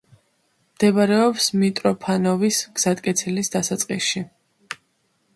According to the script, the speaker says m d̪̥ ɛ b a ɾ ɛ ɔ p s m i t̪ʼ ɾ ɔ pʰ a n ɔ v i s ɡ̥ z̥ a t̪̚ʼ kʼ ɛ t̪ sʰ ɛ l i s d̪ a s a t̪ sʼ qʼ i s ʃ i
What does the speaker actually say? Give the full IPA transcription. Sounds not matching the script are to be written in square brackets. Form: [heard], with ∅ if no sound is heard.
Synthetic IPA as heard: m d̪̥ ɛ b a ɾ ɛ ɔ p s m i t̪ʼ ɾ ɔ pʰ a n ɔ v i s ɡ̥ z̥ a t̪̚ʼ kʼ ɛ t̪ sʰ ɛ l i s d̪ a s a t̪ sʼ qʼ i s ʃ i